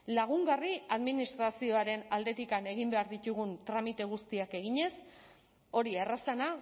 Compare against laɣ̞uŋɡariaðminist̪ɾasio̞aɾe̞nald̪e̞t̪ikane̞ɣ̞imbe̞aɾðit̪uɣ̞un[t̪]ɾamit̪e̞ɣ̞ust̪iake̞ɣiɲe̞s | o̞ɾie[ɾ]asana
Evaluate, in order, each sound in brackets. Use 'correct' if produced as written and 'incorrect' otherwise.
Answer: correct, incorrect

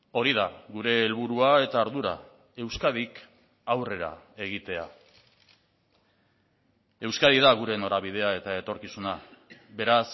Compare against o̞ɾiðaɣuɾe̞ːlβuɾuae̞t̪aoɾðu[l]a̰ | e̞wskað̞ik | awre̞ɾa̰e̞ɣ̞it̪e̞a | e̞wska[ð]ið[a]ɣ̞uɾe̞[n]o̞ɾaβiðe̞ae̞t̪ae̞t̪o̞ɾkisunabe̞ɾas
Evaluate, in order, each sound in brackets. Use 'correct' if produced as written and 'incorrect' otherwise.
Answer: incorrect, correct, correct, correct

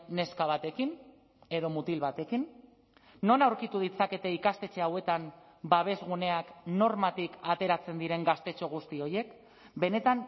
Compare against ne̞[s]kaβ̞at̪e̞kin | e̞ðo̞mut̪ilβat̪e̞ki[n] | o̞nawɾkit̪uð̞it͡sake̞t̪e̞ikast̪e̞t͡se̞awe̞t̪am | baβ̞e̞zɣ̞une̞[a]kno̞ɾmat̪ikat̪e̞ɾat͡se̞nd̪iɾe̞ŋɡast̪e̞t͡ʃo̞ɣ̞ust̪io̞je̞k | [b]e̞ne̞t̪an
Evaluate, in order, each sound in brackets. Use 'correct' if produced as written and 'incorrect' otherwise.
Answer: correct, incorrect, correct, correct

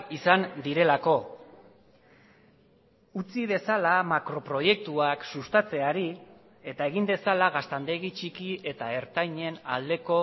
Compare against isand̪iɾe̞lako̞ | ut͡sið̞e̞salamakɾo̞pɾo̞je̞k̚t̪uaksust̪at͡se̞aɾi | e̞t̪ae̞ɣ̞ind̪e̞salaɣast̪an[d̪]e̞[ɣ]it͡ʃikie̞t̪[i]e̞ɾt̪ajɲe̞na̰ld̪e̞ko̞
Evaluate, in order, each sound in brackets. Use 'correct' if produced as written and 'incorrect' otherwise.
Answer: correct, correct, incorrect

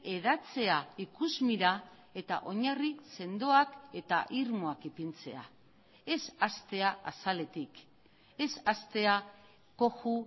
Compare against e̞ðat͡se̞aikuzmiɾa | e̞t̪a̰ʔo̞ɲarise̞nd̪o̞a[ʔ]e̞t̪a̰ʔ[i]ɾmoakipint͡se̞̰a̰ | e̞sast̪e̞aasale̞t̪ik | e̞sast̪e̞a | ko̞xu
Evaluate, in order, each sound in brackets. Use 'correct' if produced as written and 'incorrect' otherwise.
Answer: incorrect, correct

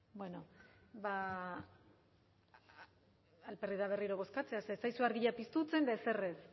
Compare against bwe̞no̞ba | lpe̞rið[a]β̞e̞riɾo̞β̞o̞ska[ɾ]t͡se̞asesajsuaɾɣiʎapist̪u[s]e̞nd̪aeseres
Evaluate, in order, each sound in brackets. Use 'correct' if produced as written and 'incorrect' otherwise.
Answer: correct, incorrect, incorrect

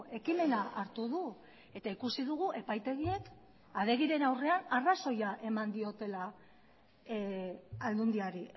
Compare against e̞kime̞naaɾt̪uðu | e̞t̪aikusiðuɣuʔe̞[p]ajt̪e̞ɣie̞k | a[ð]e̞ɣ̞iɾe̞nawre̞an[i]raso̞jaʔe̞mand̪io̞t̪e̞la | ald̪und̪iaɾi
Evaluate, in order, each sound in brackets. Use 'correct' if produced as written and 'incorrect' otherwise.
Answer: correct, correct, incorrect

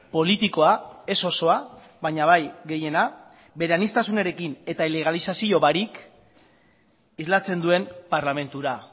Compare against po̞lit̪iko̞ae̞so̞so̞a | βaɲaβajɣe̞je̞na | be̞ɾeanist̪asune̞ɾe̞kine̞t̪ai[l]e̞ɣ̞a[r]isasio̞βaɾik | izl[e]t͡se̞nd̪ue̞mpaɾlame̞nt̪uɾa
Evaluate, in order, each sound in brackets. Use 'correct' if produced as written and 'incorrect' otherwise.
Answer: correct, incorrect, incorrect

